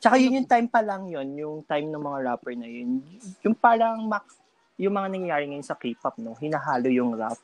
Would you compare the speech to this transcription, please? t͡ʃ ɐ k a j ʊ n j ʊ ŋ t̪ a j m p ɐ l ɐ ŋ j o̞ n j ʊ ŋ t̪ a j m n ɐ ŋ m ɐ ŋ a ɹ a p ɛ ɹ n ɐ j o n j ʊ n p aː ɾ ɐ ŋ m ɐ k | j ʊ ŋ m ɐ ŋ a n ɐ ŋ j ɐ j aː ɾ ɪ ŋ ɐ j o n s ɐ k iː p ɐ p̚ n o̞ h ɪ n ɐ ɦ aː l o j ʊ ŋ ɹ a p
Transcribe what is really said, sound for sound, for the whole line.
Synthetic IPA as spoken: t͡ʃ ɐ k a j ʊ n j ʊ ŋ t̪ a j m p ɐ l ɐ ŋ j o̞ n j ʊ ŋ t̪ a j m n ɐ ŋ m ɐ ŋ a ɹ a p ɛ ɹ n ɐ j o n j ʊ ŋ p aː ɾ ɐ ŋ m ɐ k | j ʊ ŋ m ɐ ŋ a n ɐ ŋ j ɐ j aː ɾ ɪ ŋ ɐ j o n s ɐ k iː p ɐ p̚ n o̞ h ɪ n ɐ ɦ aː l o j ʊ ŋ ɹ a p